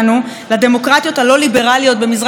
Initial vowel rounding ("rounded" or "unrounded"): rounded